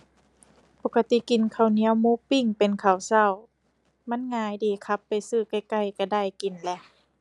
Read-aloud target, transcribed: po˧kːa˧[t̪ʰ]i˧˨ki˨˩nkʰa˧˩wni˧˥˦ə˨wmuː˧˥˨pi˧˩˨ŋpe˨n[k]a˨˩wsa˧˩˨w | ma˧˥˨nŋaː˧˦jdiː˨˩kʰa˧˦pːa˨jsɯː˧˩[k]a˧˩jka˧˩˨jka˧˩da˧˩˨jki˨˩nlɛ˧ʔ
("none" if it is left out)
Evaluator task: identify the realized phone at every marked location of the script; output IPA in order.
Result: t̪, kʰ, k

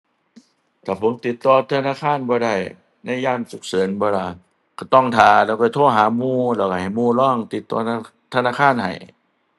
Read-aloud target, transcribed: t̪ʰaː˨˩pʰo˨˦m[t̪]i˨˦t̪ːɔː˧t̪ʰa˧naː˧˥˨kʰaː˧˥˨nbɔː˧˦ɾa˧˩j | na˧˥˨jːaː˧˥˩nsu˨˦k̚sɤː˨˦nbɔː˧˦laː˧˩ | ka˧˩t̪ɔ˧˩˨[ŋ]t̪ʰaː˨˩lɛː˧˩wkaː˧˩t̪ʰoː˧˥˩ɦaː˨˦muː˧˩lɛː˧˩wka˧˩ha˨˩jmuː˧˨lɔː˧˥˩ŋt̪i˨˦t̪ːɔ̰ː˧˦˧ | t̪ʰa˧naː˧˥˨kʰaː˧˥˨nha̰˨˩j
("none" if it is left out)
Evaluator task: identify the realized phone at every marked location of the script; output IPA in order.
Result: t̪, ŋ

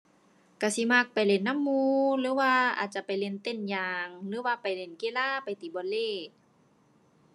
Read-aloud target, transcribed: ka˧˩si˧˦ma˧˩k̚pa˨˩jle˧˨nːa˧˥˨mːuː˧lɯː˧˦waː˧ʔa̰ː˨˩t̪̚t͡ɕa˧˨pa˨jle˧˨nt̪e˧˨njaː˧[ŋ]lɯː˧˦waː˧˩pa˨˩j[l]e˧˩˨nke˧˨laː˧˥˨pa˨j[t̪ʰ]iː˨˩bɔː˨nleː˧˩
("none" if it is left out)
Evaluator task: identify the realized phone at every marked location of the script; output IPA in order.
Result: ŋ, l, t̪

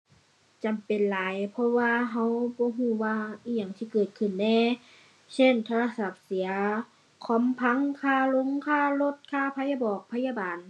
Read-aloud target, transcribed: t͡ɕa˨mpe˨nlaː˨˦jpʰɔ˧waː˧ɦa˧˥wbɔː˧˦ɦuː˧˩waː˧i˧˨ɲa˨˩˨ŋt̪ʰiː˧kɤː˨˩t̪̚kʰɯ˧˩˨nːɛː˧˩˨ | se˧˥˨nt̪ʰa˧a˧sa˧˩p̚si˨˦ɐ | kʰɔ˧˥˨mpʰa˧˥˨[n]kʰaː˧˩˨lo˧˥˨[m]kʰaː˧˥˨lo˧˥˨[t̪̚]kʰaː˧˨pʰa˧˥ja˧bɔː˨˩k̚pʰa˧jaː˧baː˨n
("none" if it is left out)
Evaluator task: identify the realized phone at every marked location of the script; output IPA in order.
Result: ŋ, ŋ, t̪̚

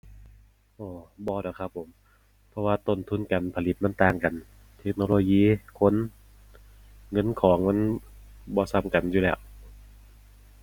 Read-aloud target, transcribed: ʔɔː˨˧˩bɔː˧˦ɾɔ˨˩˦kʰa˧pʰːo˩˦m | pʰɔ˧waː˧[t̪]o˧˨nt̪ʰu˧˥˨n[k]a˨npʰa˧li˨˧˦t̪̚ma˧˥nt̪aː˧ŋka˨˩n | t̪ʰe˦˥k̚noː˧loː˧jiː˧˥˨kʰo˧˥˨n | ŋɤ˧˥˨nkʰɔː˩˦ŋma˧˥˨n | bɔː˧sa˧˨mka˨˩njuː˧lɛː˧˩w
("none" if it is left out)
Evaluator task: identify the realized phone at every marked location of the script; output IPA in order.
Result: t̪, k

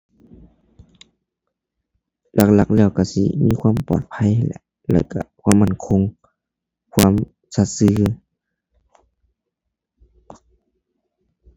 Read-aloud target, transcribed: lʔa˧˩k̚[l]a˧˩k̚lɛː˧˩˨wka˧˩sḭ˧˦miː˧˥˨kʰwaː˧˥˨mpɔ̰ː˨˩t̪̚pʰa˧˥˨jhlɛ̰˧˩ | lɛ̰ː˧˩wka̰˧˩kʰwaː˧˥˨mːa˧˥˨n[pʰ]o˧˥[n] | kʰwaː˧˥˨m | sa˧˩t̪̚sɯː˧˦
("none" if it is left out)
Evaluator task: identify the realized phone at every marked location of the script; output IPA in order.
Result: l, kʰ, ŋ

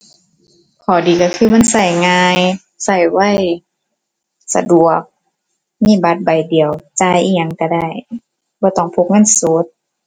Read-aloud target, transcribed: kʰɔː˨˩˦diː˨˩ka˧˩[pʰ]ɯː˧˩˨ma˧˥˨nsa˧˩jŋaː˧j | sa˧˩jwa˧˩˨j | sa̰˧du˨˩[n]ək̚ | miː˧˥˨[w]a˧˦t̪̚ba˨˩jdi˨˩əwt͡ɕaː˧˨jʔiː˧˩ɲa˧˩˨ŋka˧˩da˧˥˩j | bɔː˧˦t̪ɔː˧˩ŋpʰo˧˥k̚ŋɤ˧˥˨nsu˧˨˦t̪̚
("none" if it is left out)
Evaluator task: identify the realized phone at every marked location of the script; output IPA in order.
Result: kʰ, none, b

